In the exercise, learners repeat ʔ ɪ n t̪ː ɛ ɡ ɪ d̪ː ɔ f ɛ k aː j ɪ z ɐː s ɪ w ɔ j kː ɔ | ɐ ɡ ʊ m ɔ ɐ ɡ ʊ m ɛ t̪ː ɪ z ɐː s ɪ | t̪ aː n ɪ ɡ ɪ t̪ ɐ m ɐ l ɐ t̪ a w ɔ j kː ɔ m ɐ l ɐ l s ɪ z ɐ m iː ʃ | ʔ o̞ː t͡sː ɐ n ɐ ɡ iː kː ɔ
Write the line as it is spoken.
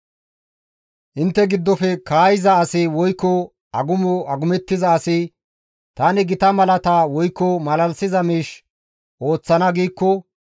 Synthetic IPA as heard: ʔ ɪ n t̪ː ɛ ɡ ɪ d̪ː ɔ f ɛ k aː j ɪ z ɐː s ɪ w ɔ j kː ɔ | ɐ ɡ ʊ m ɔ ɐ ɡ ʊ m ɛ t̪ː ɪ z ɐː s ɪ | t̪ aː n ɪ ɡ ɪ t̪ ɐ m ɐ l ɐ t̪ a w ɔ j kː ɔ m ɐ l ɐ l s ɪ z ɐ m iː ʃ | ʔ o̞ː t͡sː ɐ n ɐ ɡ iː kː ɔ